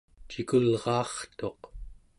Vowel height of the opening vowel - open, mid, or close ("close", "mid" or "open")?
close